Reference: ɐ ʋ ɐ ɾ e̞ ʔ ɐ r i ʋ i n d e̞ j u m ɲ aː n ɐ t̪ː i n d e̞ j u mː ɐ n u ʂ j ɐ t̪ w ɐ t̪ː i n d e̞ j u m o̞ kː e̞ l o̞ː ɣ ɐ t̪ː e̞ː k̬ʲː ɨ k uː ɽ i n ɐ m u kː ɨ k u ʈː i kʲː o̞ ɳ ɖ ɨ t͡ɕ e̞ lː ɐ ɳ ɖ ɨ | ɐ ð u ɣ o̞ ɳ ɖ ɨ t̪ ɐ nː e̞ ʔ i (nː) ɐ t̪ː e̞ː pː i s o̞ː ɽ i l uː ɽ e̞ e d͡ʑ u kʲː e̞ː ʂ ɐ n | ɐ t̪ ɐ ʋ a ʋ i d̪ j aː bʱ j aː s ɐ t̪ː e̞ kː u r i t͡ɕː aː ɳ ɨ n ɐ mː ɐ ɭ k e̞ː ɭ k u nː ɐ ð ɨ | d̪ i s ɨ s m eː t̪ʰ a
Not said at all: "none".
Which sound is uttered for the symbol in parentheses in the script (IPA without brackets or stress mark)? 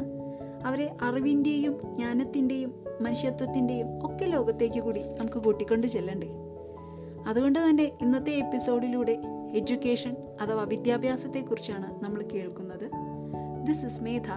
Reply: nː